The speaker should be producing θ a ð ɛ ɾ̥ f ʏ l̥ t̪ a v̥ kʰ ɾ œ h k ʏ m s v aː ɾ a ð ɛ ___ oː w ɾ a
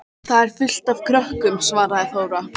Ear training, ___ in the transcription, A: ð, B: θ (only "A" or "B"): B